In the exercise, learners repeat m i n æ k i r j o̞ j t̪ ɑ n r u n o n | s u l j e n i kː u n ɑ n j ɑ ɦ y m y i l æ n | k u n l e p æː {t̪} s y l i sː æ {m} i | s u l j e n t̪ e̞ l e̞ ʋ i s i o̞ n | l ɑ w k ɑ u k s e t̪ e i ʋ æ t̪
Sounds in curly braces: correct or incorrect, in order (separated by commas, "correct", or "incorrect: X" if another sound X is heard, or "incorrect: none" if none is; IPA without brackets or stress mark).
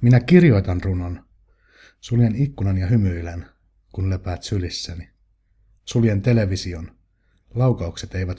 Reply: correct, incorrect: n